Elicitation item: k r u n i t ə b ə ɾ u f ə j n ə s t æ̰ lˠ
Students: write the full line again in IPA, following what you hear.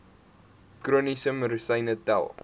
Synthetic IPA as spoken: k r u n i s ə m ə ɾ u s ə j n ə t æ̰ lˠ